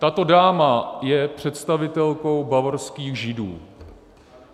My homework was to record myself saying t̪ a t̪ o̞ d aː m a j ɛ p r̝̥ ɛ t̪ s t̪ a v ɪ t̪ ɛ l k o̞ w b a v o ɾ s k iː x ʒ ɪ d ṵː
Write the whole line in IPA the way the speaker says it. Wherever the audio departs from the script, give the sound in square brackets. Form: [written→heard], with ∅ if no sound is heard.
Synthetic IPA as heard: t̪ a t̪ o̞ d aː m a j ɛ p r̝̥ ɛ t̪ s t̪ a v ɪ t̪ ɛ l k o̞ w b a v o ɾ s k iː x ʒ ɪ d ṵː